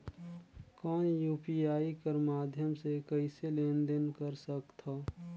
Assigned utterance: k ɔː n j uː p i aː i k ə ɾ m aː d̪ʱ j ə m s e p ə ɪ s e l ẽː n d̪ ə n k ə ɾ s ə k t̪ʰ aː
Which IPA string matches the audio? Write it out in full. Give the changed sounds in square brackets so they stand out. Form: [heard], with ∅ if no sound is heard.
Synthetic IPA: k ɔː n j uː p i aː i k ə ɾ m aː d̪ʱ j ə m s e [k] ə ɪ s e l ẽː n d̪ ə n k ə ɾ s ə k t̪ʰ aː